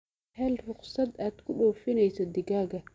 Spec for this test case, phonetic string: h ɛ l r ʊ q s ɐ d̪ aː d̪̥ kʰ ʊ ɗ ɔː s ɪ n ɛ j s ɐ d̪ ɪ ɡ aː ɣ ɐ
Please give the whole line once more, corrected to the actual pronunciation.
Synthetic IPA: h ɛ l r ʊ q s ɐ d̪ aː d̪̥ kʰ ʊ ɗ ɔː f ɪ n ɛ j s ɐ d̪ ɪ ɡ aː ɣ ɐ